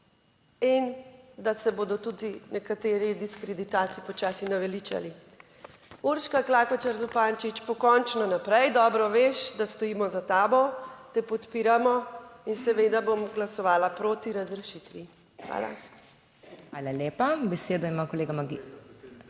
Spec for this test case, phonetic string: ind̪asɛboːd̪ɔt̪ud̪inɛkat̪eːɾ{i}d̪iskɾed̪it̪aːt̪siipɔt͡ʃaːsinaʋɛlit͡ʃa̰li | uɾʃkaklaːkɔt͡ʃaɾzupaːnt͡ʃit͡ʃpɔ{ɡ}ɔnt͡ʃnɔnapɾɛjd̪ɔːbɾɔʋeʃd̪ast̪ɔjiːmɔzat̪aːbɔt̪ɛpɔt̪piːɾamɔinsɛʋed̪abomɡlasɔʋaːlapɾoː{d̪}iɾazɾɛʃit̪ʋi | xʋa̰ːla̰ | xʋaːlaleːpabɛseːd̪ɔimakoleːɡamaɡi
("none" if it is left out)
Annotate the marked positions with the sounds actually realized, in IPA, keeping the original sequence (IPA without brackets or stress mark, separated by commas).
i, k, t̪